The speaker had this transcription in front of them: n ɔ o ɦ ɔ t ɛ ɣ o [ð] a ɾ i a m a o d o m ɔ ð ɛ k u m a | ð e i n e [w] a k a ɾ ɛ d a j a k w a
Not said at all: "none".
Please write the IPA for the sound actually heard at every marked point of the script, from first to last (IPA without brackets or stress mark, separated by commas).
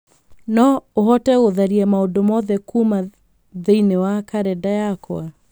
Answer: ð, w